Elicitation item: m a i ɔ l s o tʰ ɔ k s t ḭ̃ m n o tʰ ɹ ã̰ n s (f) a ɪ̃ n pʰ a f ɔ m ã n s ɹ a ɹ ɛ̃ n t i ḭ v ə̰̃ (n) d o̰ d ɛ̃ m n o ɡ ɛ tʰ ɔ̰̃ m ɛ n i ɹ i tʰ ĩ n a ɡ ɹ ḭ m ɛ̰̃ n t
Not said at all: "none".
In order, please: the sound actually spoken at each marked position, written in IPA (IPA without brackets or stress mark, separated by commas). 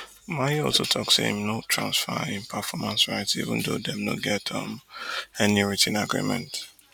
f, n